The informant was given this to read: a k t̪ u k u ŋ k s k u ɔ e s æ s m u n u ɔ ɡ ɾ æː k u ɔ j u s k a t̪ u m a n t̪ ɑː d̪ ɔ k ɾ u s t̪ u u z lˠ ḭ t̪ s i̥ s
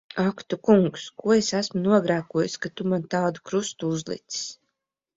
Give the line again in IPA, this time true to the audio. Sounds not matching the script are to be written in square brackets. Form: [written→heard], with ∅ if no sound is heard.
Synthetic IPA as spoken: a k t̪ u k u ŋ k s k u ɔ e s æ s m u n u ɔ ɡ ɾ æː k u ɔ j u s k a t̪ u m a n t̪ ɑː d̪ [ɔ→u] k ɾ u s t̪ u u z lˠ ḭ t̪ s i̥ s